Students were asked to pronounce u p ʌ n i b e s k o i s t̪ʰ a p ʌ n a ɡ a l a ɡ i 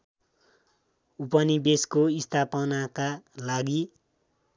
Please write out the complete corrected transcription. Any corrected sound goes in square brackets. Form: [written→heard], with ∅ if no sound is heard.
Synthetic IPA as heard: u p ʌ n i b e s k o i s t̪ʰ a p ʌ n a [ɡ→k] a l a ɡ i